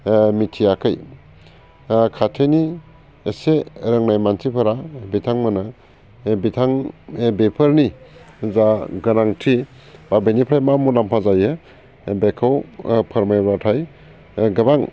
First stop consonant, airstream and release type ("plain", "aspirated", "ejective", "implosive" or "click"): aspirated